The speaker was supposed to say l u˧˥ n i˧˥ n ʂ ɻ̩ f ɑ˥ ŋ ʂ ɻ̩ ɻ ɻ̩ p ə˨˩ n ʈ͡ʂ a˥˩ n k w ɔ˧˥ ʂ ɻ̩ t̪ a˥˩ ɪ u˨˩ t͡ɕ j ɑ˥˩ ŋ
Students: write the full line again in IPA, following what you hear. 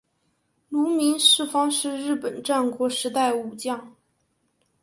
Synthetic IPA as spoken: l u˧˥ m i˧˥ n ʂ ɻ̩ f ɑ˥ ŋ ʂ ɻ̩ ɻ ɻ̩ p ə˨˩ n ʈ͡ʂ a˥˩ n k w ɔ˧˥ ʂ ɻ̩ t̪ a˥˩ ɪ u˨˩ t͡ɕ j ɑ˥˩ ŋ